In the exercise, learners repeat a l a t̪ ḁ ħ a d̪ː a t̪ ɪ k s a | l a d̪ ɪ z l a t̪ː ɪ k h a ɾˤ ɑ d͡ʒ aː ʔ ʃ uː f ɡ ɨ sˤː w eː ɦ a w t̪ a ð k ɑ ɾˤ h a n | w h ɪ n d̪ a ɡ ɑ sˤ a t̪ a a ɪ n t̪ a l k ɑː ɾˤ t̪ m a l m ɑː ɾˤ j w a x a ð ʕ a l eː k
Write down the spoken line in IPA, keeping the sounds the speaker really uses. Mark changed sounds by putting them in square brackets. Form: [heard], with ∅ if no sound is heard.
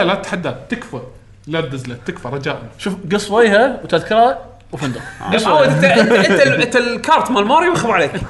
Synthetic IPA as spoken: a l a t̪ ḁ ħ a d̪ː a t̪ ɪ k [f] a | l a d̪ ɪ z l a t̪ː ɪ k [f] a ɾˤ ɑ d͡ʒ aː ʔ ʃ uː f ɡ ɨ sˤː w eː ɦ a w t̪ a ð k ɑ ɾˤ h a [∅] | w [f] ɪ n d̪ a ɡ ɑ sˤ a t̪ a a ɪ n t̪ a l k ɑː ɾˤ t̪ m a l m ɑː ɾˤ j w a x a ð ʕ a l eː k